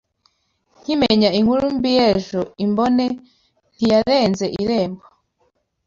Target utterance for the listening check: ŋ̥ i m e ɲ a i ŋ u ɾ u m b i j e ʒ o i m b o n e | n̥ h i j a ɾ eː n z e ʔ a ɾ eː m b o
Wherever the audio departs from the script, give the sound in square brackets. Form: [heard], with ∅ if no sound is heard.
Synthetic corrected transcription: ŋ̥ i m e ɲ a i ŋ u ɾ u m b i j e ʒ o i m b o n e | n̥ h i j a ɾ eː n z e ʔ [i] ɾ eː m b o